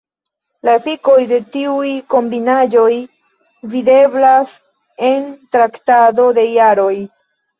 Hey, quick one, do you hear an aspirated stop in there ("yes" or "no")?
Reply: no